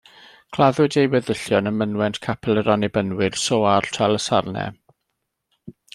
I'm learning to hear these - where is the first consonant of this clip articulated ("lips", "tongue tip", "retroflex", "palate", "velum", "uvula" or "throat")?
velum